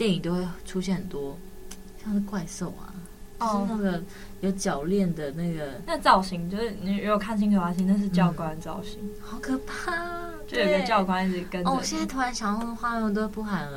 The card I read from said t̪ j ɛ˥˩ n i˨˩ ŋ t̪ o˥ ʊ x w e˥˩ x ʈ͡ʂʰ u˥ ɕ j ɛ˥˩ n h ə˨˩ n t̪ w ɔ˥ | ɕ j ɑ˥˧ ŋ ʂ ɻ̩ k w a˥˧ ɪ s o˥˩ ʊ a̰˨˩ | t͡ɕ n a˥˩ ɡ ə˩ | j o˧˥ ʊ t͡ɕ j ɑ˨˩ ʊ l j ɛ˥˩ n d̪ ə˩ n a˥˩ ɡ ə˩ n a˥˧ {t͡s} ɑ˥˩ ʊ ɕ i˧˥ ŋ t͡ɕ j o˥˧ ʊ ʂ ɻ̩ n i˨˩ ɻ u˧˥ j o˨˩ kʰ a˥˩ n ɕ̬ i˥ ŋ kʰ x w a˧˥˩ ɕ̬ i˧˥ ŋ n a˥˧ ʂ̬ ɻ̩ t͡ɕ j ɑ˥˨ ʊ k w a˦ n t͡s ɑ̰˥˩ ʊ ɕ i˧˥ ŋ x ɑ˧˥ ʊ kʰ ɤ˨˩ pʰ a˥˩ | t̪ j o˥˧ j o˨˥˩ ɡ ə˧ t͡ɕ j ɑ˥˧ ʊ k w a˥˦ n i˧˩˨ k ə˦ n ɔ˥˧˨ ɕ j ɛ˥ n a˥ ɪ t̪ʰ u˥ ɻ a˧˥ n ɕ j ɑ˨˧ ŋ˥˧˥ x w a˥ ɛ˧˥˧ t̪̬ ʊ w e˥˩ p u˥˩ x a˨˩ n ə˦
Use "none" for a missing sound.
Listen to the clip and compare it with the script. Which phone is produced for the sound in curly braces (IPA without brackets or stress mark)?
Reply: t͡s